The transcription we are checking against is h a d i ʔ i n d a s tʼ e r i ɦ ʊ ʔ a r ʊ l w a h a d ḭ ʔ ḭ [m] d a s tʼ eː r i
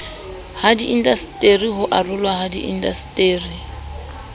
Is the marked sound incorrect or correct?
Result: incorrect